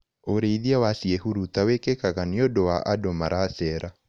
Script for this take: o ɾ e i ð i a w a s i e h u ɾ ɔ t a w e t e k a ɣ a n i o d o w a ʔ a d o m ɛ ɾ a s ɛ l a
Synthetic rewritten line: o ɾ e i ð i a w a s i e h u ɾ u t a w e k e k a ɣ a n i o d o w a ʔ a d o m a ɾ a s ɛ ɾ a